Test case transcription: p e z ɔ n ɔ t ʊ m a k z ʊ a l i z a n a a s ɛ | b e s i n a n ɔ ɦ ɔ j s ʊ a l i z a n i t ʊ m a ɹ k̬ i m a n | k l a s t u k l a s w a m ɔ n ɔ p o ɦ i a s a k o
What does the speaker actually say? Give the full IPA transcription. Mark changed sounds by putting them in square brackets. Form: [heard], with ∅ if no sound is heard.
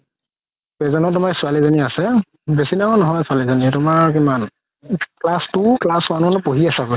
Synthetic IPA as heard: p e z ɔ n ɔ t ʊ m a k [s] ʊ a l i z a n [i] a s ɛ | b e s i n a n ɔ ɦ ɔ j s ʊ a l i z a n i t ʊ m a ɹ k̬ i m a n | k l a s t u k l a s w a [n] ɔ n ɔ p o ɦ i a s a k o